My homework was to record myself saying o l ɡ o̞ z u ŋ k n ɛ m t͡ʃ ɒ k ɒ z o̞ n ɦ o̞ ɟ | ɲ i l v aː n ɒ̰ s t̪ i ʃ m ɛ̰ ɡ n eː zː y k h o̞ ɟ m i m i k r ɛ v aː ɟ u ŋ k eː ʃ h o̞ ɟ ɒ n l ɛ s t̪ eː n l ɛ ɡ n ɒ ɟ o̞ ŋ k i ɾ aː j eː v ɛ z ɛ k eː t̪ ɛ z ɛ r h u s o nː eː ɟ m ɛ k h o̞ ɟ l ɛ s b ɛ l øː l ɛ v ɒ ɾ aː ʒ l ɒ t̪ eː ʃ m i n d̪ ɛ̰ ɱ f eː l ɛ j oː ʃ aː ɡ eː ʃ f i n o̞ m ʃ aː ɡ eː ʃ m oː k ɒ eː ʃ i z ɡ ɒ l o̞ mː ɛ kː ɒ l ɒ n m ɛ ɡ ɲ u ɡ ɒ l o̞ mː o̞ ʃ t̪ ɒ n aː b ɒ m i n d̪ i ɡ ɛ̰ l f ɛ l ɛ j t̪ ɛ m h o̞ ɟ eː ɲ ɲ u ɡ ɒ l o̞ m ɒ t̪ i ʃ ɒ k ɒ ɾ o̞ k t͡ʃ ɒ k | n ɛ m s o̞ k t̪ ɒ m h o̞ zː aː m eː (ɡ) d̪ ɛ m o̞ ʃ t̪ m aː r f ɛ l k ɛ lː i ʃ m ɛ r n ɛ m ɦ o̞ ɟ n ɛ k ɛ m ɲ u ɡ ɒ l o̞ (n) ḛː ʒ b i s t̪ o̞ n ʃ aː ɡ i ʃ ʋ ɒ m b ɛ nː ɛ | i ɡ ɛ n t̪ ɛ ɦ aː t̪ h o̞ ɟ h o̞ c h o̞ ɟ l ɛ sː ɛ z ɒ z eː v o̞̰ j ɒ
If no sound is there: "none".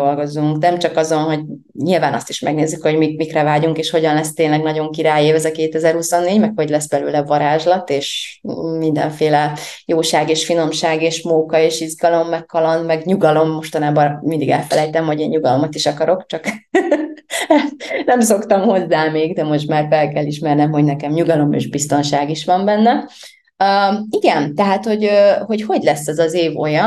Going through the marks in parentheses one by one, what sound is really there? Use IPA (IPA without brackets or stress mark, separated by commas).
ɡ, m